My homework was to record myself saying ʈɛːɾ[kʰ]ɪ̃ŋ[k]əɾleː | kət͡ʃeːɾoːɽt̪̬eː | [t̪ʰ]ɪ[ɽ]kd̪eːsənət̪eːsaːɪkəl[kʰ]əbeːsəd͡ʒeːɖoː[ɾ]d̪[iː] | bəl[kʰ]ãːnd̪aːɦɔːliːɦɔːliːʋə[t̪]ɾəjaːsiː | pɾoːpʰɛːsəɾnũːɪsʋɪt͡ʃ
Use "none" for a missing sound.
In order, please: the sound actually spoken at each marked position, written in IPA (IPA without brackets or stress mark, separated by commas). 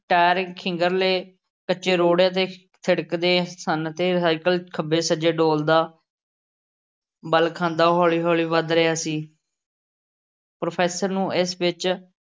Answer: kʰ, ɡ, t̪ʰ, ɽ, kʰ, l, aː, kʰ, d̪